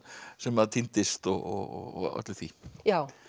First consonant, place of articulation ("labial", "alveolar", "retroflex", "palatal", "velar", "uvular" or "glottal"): alveolar